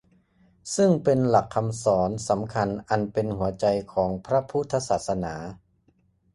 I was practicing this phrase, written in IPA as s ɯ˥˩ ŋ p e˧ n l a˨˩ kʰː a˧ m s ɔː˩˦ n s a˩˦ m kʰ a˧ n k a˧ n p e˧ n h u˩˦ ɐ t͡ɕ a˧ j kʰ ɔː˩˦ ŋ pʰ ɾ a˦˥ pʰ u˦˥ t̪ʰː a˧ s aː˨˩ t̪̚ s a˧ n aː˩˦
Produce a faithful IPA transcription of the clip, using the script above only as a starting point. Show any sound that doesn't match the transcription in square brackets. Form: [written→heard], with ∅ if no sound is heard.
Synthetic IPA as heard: s ɯ˥˩ ŋ p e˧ n l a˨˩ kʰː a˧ m s ɔː˩˦ n s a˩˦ m kʰ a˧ n [k→ʔ] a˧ n p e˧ n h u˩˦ ɐ t͡ɕ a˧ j kʰ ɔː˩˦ ŋ pʰ ɾ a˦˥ pʰ u˦˥ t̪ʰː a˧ s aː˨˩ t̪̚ s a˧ n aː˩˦